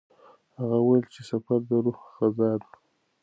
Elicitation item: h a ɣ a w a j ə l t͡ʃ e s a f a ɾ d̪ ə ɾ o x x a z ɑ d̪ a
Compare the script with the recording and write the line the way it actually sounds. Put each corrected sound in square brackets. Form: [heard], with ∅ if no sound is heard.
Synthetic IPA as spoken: h a ɣ a w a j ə l t͡ʃ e s a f a ɾ d̪ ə ɾ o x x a z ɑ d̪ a